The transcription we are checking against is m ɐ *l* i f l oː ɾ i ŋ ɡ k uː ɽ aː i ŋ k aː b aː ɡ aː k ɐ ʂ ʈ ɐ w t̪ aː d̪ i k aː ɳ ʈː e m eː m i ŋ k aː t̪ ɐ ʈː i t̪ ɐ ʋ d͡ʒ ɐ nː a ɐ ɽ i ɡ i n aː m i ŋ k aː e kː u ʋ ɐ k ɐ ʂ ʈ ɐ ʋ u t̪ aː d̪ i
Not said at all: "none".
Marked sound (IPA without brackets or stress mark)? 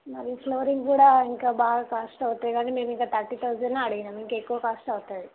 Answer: ɾ